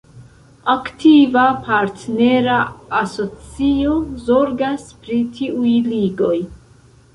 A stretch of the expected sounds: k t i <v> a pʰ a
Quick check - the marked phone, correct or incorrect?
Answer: correct